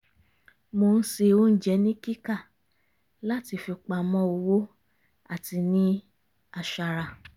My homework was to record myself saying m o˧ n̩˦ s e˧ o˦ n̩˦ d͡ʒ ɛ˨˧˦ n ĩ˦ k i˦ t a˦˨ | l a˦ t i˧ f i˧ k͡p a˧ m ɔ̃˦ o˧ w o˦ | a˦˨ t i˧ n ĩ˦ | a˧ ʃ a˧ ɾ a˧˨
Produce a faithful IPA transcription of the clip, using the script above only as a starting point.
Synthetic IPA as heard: m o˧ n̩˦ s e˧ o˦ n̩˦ d͡ʒ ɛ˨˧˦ n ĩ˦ k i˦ k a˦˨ | l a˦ t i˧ f i˧ k͡p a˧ m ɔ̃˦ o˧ w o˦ | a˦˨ t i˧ n ĩ˦ | a˧ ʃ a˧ ɾ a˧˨